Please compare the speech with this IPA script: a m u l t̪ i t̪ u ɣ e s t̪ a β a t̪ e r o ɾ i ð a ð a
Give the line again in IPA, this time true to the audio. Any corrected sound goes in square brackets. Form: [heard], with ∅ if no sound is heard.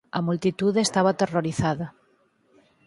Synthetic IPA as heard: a m u l t̪ i t̪ u [ð] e s t̪ a β a t̪ e r o ɾ i [θ] a ð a